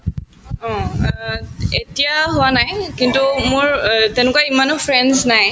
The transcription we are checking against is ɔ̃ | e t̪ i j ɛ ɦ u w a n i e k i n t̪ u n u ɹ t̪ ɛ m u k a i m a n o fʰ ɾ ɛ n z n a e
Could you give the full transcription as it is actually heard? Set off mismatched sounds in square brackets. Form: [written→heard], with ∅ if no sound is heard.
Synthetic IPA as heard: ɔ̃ | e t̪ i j [ɛ→a] ɦ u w a n [i→a] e k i n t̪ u [n→m] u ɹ t̪ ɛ [m→n] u k a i m a n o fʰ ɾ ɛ n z n a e